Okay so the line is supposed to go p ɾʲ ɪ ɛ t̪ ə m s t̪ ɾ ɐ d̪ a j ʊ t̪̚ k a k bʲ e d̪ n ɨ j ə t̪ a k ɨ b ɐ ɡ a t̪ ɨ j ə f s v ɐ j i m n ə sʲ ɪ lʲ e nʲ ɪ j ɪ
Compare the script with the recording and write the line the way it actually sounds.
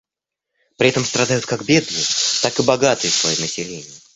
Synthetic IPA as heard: p ɾʲ ɪ ɛ t̪ ə m s t̪ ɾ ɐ d̪ a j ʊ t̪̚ k a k bʲ e d̪ n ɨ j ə t̪ a k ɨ b ɐ ɡ a t̪ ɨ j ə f s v ɐ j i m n ə sʲ ɪ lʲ e nʲ ɪ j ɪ